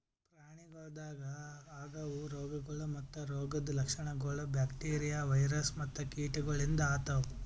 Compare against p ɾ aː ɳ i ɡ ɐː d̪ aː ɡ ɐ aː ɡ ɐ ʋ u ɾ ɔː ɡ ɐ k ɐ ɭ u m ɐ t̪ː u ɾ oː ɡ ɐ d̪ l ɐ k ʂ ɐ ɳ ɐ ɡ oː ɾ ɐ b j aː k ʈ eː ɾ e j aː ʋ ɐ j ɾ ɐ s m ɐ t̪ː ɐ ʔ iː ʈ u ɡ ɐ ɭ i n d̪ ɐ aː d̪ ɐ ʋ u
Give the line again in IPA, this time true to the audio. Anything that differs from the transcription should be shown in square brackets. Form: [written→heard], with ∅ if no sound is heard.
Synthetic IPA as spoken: p ɾ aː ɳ i ɡ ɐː d̪ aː ɡ ɐ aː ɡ ɐ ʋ u ɾ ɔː ɡ ɐ [k→ɡ] ɐ ɭ u m ɐ t̪ː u ɾ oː ɡ ɐ d̪ l ɐ k ʂ ɐ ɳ ɐ ɡ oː [ɾ→ɭ] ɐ b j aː k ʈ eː ɾ [e→i] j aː ʋ ɐ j ɾ ɐ s m ɐ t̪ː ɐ [ʔ→k] iː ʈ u ɡ ɐ ɭ i n d̪ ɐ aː [d̪→t̪] ɐ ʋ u

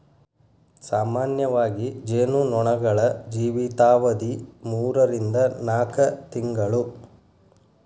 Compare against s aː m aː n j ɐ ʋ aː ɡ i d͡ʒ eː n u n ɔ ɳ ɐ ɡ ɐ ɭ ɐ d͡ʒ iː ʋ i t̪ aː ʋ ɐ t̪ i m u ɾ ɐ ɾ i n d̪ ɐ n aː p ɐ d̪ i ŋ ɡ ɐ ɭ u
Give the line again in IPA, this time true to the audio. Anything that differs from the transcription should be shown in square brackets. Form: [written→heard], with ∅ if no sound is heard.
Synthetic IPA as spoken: s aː m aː n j ɐ ʋ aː ɡ i d͡ʒ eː n u n ɔ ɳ ɐ ɡ ɐ ɭ ɐ d͡ʒ iː ʋ i t̪ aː ʋ ɐ [t̪→d̪] i m [u→uː] ɾ ɐ ɾ i n d̪ ɐ n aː [p→k] ɐ [d̪→t̪] i ŋ ɡ ɐ ɭ u

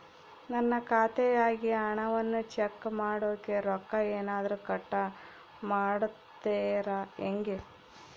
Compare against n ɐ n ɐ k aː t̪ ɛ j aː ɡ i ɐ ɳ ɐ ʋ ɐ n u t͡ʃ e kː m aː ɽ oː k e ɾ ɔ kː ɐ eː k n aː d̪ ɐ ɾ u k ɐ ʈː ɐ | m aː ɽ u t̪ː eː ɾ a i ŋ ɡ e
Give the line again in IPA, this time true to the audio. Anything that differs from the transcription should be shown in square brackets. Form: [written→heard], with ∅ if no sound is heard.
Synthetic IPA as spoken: n ɐ [n→nː] ɐ k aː t̪ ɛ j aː ɡ i ɐ ɳ ɐ ʋ ɐ [n→nː] u t͡ʃ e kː m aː ɽ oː k e ɾ ɔ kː ɐ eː [k→∅] n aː d̪ ɐ ɾ u k ɐ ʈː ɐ | m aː ɽ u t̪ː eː ɾ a [i→e] ŋ ɡ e

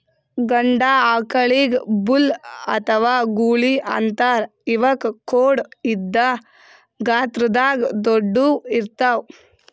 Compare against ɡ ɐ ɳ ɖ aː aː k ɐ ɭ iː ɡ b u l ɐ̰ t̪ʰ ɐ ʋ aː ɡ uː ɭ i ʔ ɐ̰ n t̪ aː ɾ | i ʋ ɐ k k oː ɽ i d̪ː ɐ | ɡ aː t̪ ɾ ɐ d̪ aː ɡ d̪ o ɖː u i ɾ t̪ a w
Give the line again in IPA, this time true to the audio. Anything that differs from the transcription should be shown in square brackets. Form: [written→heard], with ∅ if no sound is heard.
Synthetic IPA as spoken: ɡ ɐ ɳ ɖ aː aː k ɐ ɭ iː ɡ b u l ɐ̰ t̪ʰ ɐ ʋ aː ɡ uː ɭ i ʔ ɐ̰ n t̪ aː ɾ | i ʋ ɐ k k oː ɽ i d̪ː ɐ | ɡ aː t̪ ɾ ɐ d̪ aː ɡ d̪ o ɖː u i ɾ t̪ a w

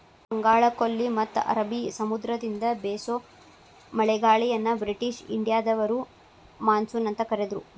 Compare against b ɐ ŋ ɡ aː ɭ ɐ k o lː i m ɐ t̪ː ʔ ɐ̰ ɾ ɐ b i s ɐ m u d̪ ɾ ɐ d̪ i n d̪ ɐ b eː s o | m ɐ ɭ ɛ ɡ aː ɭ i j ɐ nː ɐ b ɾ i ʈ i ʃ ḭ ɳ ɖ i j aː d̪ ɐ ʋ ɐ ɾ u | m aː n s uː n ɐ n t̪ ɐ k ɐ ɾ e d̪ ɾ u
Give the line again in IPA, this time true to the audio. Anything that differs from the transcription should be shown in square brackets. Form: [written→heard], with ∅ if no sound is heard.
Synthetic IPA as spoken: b ɐ ŋ ɡ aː ɭ ɐ k o lː i m ɐ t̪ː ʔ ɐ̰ ɾ ɐ b i s ɐ m u d̪ ɾ ɐ d̪ i n d̪ ɐ b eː s o | m ɐ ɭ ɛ ɡ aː ɭ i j ɐ nː ɐ b ɾ i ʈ i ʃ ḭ ɳ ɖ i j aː d̪ ɐ ʋ ɐ ɾ u | m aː n s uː n ɐ n t̪ ɐ k ɐ ɾ e d̪ ɾ u

